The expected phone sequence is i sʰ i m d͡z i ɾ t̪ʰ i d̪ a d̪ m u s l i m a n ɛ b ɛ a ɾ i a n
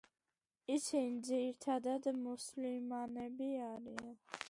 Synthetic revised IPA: i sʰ i n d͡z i ɾ t̪ʰ a d̪ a d̪ m u s l i m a n ɛ b i a ɾ i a n

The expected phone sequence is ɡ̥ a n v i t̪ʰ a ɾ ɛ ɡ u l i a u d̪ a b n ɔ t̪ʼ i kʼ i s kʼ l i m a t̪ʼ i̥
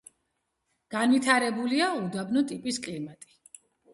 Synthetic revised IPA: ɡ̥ a n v i t̪ʰ a ɾ ɛ b u l i a u d̪ a b n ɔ t̪ʼ i pʼ i s kʼ l i m a t̪ʼ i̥

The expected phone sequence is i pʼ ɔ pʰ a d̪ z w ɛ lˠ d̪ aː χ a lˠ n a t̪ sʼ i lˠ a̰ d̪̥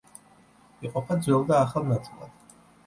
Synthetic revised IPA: i qʼ ɔ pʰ a d̪ z w ɛ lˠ d̪ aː χ a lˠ n a t̪ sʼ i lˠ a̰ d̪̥

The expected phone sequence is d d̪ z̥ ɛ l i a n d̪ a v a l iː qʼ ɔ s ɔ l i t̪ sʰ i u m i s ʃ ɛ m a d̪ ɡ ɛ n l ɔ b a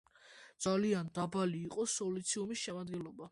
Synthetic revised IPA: d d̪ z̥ a l i a n d̪ a b a l iː qʼ ɔ s ɔ l i t̪ sʰ i u m i s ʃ ɛ m a d̪ ɡ ɛ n l ɔ b a

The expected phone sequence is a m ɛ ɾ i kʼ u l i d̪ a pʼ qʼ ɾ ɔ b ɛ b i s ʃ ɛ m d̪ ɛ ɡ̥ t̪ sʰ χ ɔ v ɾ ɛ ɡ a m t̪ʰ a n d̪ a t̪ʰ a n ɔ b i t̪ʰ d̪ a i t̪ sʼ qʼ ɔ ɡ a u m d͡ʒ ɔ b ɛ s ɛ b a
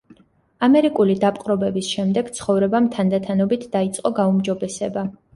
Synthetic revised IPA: a m ɛ ɾ i kʼ u l i d̪ a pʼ qʼ ɾ ɔ b ɛ b i s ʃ ɛ m d̪ ɛ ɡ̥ t̪ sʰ χ ɔ v ɾ ɛ b a m t̪ʰ a n d̪ a t̪ʰ a n ɔ b i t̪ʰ d̪ a i t̪ sʼ qʼ ɔ ɡ a u m d͡ʒ ɔ b ɛ s ɛ b a

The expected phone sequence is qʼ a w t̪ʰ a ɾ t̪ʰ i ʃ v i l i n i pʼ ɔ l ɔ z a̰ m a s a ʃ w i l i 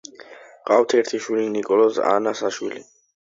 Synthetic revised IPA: qʼ a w t̪ʰ ɛ ɾ t̪ʰ i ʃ w i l i n i kʼ ɔ l ɔ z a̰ n a s a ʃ w i l i

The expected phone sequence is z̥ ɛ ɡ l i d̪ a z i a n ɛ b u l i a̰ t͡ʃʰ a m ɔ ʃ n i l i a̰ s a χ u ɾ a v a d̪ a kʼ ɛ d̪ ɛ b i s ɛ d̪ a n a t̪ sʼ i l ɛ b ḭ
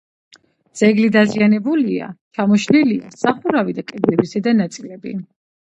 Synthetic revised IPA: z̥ ɛ ɡ l i d̪ a z i a n ɛ b u l i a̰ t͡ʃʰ a m ɔ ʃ n i l i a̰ s a χ u ɾ a v i d̪ a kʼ ɛ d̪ ɛ b i s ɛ d̪ a n a t̪ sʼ i l ɛ b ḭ

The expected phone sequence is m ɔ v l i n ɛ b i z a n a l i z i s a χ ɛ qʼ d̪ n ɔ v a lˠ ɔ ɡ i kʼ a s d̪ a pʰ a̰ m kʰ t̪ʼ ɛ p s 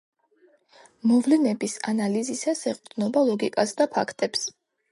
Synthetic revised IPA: m ɔ v l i n ɛ b i s a n a l i z i s a s ɛ qʼ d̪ n ɔ b a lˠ ɔ ɡ i kʼ a s d̪ a pʰ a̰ kʰ t̪ʼ ɛ p s

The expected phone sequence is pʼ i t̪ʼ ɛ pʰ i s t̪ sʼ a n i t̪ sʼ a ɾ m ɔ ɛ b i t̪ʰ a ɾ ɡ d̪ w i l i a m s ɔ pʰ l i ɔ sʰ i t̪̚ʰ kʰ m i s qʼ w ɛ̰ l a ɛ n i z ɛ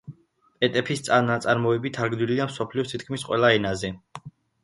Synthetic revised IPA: pʼ ɛ t̪ʼ ɛ pʰ i s t̪ sʼ a n a t̪ sʼ a ɾ m ɔ ɛ b i t̪ʰ a ɾ ɡ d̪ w i l i a m s ɔ pʰ l i ɔ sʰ i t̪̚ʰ kʰ m i s qʼ w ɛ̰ l a ɛ n a z ɛ

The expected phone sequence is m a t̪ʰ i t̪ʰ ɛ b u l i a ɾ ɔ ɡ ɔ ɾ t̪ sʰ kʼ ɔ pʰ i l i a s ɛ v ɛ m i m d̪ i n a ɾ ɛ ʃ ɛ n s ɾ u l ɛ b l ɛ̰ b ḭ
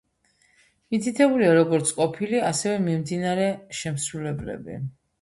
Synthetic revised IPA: m i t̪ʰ i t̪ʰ ɛ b u l i a ɾ ɔ ɡ ɔ ɾ t̪ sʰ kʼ ɔ pʰ i l i a s ɛ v ɛ m i m d̪ i n a ɾ ɛ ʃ ɛ m s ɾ u l ɛ b l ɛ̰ b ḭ

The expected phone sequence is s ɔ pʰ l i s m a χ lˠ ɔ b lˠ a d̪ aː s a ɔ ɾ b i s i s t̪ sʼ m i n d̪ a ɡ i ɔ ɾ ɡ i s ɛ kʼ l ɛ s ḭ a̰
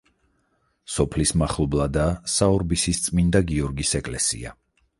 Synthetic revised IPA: s ɔ pʰ l i s m a χ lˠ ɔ b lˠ a d̪ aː s a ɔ ɾ b i s i s t̪ sʼ m i n d̪ a ɡ i ɔ ɾ ɡ i s ɛ kʼ l ɛ s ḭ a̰

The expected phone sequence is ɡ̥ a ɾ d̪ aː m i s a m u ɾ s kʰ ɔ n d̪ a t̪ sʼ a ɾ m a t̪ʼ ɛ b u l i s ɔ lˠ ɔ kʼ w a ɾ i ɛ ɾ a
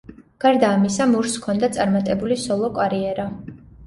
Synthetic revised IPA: ɡ̥ a ɾ d̪ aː m i s a m u ɾ s kʰ ɔ n d̪ a t̪ sʼ a ɾ m a t̪ʼ ɛ b u l i s ɔ lˠ ɔ kʼ w a ɾ i ɛ ɾ a

